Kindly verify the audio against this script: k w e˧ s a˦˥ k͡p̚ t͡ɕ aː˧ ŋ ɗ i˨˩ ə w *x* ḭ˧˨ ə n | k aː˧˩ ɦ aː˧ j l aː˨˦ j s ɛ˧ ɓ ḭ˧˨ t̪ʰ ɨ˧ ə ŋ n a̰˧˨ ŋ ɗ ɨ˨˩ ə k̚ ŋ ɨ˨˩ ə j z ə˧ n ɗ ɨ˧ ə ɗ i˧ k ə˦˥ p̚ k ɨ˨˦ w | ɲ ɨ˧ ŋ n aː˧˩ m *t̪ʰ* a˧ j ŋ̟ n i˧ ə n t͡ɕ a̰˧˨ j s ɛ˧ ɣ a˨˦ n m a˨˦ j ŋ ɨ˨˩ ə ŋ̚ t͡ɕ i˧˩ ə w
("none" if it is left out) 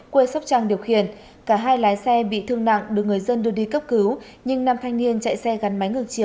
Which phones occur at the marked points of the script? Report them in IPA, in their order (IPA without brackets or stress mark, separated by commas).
x, t̪ʰ